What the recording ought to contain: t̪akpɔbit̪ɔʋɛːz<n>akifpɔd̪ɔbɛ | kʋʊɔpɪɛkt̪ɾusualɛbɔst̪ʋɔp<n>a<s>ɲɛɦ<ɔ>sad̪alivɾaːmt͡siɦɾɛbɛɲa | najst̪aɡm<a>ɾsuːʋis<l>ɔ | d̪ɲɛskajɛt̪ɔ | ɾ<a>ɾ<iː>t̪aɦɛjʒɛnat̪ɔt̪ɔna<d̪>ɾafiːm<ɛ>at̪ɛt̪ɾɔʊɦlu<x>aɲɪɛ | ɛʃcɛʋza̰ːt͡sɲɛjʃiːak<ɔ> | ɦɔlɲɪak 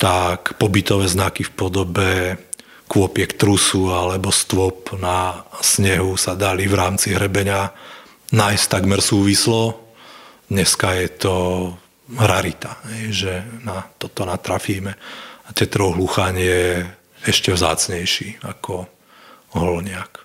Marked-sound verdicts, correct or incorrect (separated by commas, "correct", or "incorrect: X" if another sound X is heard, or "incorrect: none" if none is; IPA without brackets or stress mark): correct, correct, correct, incorrect: u, incorrect: ɛ, correct, correct, incorrect: i, incorrect: t̪, correct, correct, correct